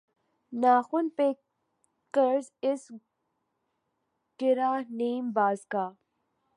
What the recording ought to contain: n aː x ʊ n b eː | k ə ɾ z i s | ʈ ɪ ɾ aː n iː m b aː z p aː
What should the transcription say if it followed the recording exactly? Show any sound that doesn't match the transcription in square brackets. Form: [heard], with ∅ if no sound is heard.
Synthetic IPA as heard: n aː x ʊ n [p] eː | k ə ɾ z [ɪ] s | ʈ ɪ ɾ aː n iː m b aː z [k] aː